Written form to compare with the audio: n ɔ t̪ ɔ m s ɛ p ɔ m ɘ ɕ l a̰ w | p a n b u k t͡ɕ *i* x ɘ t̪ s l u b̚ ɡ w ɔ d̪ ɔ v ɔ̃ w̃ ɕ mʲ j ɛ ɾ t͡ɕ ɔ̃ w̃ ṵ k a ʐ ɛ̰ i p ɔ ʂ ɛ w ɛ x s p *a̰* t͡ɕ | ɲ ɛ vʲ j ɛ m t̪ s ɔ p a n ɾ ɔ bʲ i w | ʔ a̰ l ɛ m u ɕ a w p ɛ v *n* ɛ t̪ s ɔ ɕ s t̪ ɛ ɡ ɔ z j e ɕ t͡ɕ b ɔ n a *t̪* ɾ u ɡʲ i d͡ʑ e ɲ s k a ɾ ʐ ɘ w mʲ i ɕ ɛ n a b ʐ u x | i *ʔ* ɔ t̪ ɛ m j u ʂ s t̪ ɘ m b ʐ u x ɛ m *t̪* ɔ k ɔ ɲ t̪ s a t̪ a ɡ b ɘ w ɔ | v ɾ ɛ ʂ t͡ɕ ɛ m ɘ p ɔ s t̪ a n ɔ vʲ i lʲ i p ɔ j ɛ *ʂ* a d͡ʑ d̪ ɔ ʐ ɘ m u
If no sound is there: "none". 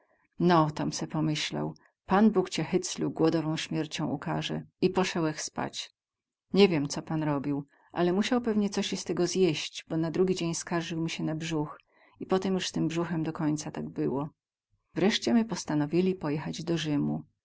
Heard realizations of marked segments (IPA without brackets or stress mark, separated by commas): ɛ, a̰, ɲ, d̪, p, d̪, x